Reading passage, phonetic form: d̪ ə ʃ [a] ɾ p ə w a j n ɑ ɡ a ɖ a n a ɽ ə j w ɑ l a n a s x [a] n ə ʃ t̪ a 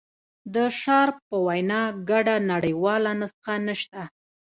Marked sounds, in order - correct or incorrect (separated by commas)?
incorrect, correct